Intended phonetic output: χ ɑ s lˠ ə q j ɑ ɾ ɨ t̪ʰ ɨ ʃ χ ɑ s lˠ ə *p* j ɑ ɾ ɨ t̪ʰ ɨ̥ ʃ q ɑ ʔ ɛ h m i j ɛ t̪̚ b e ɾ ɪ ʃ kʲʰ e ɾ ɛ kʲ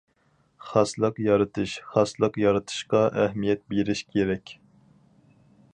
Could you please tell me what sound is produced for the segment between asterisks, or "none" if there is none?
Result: q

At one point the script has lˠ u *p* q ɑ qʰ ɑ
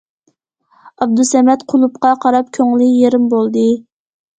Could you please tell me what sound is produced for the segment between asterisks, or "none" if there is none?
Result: p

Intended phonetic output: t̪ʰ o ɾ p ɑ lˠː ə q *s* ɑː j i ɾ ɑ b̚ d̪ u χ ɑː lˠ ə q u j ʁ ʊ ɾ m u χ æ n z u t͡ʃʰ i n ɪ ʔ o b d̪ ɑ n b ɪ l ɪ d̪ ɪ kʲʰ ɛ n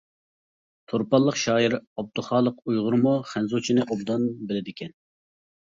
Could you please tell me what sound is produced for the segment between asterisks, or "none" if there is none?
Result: ʃ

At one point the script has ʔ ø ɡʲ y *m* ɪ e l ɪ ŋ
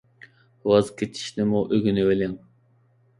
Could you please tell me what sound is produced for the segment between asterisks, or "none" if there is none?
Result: n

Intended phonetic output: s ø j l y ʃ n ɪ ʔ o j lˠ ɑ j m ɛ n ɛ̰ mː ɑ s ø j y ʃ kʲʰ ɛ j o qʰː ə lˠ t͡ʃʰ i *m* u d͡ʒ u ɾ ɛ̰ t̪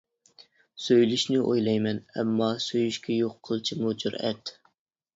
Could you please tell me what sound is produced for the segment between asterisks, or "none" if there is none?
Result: m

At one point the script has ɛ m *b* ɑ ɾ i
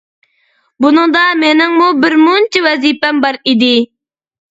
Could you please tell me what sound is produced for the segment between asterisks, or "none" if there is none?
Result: b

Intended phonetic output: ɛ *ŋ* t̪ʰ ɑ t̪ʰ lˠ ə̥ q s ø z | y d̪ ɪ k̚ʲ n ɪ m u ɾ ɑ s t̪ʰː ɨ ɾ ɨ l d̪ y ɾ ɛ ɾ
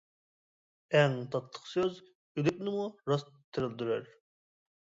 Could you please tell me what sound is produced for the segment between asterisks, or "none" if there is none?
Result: ŋ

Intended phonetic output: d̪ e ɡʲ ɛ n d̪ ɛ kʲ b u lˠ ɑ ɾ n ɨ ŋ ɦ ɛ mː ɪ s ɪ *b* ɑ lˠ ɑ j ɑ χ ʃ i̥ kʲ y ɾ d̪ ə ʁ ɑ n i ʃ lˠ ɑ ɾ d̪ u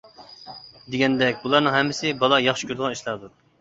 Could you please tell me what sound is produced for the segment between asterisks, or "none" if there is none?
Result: b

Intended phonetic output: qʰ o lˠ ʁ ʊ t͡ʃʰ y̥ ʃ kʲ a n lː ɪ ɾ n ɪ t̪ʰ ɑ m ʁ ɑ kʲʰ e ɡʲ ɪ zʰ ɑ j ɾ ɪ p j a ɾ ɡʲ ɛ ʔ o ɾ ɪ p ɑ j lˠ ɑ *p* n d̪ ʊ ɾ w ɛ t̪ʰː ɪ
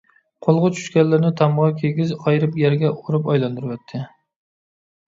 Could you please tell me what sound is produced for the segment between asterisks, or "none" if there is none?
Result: none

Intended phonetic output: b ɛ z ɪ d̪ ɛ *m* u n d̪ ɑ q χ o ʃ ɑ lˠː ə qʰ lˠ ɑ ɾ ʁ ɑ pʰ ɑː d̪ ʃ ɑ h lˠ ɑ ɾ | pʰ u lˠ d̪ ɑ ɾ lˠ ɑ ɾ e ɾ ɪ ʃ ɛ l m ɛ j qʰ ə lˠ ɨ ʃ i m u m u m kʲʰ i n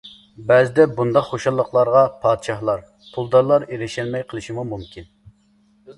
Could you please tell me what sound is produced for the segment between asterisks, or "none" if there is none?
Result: b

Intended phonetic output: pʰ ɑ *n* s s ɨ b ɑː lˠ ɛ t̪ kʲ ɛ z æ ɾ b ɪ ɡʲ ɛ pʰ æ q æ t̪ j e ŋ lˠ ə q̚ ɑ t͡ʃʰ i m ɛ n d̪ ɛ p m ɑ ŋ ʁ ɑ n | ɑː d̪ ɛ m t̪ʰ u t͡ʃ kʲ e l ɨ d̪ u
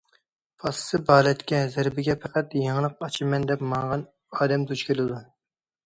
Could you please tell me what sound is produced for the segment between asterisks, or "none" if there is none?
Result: none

